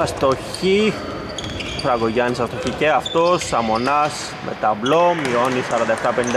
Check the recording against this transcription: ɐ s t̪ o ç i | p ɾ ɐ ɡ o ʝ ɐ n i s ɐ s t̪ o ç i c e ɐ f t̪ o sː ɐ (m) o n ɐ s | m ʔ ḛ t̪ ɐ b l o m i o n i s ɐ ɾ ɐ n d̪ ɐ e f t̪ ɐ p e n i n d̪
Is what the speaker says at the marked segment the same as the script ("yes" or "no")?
yes